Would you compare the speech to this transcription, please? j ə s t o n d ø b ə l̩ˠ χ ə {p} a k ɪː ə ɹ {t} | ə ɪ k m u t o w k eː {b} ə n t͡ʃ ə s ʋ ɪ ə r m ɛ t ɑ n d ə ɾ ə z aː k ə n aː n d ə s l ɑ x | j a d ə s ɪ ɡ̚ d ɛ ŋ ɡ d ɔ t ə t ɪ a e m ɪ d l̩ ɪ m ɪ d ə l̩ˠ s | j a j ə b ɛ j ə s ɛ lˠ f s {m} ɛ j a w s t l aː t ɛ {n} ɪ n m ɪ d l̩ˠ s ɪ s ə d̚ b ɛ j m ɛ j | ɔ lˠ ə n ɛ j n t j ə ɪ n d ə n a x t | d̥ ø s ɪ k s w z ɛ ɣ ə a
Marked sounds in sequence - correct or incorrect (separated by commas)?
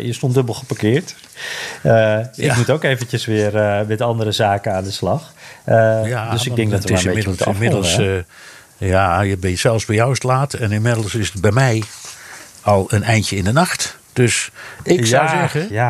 correct, correct, incorrect, incorrect, correct